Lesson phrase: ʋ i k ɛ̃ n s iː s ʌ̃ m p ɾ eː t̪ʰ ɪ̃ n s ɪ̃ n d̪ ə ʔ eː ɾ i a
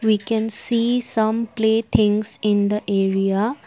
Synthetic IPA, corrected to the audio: ʋ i k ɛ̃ n s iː s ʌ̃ m p l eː t̪ʰ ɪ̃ ŋ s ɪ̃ n d̪ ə ʔ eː ɾ i a